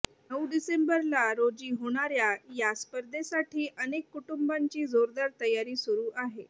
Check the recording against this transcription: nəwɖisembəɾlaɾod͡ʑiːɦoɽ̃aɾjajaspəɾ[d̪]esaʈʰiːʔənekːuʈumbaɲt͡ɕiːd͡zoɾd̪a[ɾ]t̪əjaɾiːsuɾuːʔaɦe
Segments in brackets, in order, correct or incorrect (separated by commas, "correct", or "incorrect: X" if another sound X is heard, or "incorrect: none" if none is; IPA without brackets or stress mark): correct, correct